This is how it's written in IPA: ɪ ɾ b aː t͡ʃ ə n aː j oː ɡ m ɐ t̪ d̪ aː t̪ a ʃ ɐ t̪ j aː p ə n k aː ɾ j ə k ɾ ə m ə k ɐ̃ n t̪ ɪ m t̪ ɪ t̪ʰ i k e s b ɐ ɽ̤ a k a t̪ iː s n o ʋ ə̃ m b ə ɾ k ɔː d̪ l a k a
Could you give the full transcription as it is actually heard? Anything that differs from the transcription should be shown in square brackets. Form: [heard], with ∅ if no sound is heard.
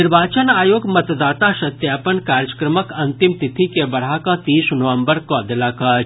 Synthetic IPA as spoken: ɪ ɾ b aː t͡ʃ ə n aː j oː ɡ m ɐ t̪ d̪ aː t̪ a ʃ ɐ t̪ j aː p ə n k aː ɾ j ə k ɾ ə m ə k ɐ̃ n t̪ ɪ m t̪ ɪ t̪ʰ i k e [∅] b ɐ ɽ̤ a k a t̪ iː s n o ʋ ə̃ m b ə ɾ k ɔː d̪ l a k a